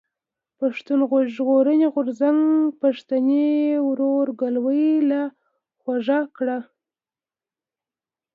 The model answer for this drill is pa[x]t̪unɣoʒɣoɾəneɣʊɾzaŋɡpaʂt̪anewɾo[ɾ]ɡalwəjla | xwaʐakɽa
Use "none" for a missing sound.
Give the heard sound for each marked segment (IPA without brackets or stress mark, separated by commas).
ʂ, ɾ